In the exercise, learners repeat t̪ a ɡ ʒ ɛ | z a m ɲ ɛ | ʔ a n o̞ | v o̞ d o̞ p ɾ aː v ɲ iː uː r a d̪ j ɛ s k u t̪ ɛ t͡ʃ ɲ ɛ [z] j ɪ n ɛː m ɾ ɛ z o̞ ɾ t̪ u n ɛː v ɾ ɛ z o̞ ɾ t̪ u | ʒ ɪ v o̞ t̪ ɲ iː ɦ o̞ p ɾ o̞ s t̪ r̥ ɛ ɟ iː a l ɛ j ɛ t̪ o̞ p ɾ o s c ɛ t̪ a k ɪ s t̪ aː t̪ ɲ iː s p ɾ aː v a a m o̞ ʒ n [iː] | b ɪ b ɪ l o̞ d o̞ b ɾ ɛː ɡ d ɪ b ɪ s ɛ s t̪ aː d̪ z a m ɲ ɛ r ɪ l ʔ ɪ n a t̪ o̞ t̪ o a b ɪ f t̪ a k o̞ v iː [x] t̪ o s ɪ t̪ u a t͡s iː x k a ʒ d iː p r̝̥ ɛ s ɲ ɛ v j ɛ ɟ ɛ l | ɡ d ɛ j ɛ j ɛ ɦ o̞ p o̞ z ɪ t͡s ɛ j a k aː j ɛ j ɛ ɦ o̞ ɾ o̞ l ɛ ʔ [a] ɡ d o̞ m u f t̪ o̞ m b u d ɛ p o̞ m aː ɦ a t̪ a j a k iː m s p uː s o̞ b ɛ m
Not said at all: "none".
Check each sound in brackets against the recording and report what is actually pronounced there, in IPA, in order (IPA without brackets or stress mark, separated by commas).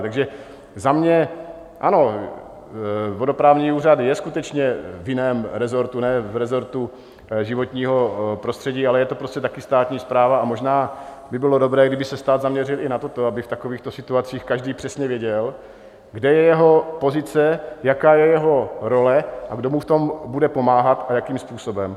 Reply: v, aː, x, a